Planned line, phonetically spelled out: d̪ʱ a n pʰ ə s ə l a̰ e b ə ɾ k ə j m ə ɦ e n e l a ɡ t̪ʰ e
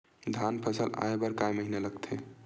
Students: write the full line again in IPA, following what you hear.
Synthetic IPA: d̪ʱ a n pʰ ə s ə l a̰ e b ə ɾ k a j m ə ɦ i n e l ə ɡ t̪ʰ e

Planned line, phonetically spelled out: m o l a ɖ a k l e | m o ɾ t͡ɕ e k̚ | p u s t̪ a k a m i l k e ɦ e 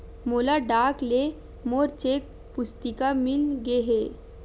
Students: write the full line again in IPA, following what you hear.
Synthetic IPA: m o l a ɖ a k l e | m o ɾ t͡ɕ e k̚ | p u s t̪ i k a m i l ɡ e ɦ e

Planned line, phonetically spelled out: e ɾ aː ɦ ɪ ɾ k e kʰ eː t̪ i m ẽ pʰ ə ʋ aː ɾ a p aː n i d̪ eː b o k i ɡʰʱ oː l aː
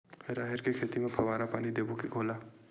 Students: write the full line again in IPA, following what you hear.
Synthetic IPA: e ɾ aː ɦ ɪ ɾ k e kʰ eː t̪ i m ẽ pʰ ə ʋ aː ɾ a p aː n i d̪ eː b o k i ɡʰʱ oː l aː

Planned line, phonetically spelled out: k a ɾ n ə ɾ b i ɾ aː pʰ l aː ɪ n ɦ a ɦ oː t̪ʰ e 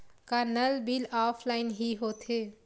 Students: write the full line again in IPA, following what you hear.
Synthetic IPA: k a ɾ n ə l b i l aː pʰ l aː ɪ n ɦ i ɦ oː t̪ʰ e

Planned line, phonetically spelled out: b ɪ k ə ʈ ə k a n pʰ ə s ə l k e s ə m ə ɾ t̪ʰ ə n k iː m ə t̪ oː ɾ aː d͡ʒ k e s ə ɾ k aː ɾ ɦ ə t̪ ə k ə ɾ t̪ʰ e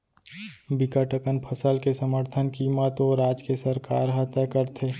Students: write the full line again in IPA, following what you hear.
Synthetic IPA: b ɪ k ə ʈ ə k ə n pʰ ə s ə l k e s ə m ə ɾ t̪ʰ ə n k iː m ə t̪ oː ɾ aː d͡ʒ k e s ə ɾ k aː ɾ ɦ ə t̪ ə k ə ɾ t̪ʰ e

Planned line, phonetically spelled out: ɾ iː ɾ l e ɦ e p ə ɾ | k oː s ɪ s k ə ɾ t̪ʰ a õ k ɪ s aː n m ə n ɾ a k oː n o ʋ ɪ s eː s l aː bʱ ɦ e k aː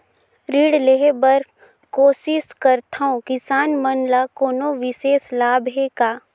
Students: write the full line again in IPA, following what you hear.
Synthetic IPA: ɾ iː ɽ l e ɦ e b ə ɾ | k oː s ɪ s k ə ɾ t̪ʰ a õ k ɪ s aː n m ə n l a k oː n o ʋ ɪ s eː s l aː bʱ ɦ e k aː

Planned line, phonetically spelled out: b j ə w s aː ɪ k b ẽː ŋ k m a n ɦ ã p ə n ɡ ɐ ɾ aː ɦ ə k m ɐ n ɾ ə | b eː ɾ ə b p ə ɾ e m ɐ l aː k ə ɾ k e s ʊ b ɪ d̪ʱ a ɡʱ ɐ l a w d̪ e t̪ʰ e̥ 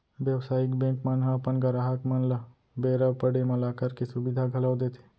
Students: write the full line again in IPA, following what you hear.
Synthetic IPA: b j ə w s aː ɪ k b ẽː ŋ k m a n ɦ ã p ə n ɡ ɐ ɾ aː ɦ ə k m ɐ n l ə | b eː ɾ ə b p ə ɽ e m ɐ l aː k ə ɾ k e s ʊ b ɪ d̪ʱ a ɡʱ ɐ l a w d̪ e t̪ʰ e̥

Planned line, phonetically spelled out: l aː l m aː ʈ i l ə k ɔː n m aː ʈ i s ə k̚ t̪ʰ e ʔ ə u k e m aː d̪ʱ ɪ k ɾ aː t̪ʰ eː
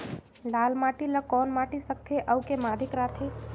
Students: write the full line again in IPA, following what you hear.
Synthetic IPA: l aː l m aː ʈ i l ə k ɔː n m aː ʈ i s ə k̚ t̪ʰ e ʔ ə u k e m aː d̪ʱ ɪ k ɾ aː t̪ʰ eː

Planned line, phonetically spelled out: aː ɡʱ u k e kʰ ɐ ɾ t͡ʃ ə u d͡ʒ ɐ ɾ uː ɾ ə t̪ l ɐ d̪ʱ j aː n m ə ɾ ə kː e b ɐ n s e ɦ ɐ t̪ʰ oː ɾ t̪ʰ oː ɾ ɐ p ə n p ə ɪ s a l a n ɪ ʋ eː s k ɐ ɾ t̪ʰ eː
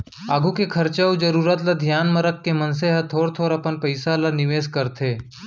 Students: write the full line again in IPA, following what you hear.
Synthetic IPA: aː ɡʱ u k e kʰ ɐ ɾ t͡ʃ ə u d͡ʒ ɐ ɾ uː ɾ ə t̪ l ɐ d̪ʱ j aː n m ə ɾ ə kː e m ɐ n s e ɦ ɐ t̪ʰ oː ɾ t̪ʰ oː ɾ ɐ p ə n p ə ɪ s a l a n ɪ ʋ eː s k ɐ ɾ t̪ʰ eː

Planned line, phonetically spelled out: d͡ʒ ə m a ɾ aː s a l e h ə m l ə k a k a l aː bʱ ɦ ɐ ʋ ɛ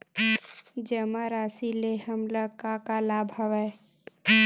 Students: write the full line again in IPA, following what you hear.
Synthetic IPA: d͡ʒ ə m a ɾ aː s i l e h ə m l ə k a k a l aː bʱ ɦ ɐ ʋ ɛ

